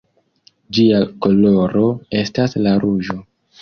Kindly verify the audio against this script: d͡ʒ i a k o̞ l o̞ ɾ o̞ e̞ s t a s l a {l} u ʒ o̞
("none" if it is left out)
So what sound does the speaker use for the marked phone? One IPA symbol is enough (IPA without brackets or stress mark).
ɾ